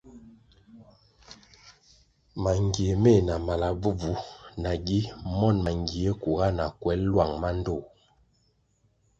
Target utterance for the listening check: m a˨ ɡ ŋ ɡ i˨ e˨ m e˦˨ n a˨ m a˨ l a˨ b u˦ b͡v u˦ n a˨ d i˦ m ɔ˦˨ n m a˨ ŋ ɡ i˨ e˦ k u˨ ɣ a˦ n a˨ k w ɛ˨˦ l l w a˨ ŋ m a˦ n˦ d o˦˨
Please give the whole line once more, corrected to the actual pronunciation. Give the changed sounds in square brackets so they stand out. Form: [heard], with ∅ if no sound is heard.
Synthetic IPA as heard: m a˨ [∅] ŋ ɡ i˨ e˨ m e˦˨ n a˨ m a˨ l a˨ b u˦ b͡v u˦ n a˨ [ɡ] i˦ m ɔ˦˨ n m a˨ ŋ ɡ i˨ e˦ k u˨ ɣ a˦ n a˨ k w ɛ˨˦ l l w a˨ ŋ m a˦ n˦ d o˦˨